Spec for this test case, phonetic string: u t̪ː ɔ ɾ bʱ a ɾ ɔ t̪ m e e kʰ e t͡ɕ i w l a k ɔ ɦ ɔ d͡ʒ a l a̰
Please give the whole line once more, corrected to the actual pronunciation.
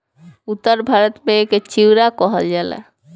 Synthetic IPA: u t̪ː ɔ ɾ bʱ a ɾ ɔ t̪ m e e k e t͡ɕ i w ɾ a k ɔ ɦ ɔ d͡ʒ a l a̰

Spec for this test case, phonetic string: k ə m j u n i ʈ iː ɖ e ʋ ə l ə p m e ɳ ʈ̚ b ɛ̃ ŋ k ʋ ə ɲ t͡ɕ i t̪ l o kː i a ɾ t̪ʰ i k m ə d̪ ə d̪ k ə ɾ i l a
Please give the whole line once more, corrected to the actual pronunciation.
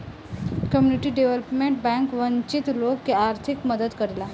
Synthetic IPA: k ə m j u n i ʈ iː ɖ e ʋ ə l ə p m e ɳ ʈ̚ b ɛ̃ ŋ k ʋ ə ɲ t͡ɕ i t̪ l o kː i a ɾ t̪ʰ i k m ə d̪ ə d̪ k ə ɾ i l a

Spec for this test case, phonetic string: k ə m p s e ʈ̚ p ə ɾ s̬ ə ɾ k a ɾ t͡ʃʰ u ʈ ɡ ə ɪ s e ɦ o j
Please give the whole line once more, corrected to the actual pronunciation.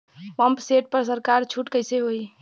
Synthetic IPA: p ə m p s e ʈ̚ p ə ɾ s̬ ə ɾ k a ɾ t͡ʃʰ u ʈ k ə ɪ s e ɦ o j

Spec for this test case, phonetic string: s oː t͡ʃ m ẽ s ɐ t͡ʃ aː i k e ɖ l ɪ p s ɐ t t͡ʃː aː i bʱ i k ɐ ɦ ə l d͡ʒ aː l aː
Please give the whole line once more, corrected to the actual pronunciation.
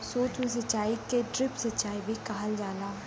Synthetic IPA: s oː t͡ʃ m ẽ s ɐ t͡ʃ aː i k e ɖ ɾ ɪ p s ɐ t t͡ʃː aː i bʱ i k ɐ ɦ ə l d͡ʒ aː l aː

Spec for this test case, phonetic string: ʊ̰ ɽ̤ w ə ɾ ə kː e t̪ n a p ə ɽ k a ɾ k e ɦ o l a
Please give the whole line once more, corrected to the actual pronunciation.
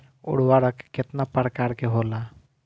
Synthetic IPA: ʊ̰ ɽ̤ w a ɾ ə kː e t̪ n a p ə ɾ k a ɾ k e ɦ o l a

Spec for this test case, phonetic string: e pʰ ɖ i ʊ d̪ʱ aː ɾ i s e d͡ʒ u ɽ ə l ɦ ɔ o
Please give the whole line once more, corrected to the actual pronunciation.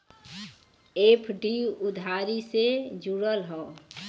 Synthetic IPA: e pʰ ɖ i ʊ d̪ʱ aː ɾ i s e d͡ʒ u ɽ ə l ɦ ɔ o

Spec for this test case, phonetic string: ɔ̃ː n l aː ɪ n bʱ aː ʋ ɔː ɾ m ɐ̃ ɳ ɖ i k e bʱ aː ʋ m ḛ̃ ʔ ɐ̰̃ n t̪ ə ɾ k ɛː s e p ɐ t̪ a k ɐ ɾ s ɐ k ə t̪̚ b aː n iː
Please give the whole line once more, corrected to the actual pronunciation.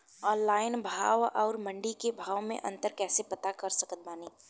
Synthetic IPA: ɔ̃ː n l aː ɪ n bʱ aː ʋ ɔː ɾ m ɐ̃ ɳ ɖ i k e bʱ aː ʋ m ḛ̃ ʔ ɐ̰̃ n t̪ ə ɾ k ɛː s e p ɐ t̪ a k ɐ ɾ s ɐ k ə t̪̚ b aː n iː

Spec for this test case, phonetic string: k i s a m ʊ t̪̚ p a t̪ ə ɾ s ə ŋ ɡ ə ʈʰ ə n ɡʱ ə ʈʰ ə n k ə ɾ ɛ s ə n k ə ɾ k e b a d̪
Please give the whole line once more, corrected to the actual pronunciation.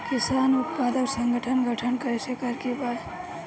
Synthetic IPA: k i s a n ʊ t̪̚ p a d̪ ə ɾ s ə ŋ ɡ ə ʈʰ ə n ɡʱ ə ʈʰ ə n k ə ɾ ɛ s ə k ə ɾ k e b a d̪

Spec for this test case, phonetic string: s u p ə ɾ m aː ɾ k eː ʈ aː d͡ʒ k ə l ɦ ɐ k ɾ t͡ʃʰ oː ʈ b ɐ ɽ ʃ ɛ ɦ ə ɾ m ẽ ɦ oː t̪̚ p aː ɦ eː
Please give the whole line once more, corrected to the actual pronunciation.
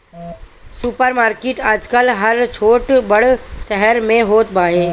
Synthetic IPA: s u p ə ɾ m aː ɾ k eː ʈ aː d͡ʒ k ə l ɦ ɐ ɾ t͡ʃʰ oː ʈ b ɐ ɽ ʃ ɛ ɦ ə ɾ m ẽ ɦ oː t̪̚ b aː ɦ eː

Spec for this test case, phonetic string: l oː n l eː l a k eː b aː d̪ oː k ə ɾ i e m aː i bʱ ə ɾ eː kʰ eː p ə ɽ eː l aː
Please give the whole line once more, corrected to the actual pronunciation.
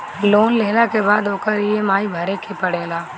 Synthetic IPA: l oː n l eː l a k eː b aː d̪ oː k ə ɾ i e m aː i bʱ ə ɾ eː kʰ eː p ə ɽ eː l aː

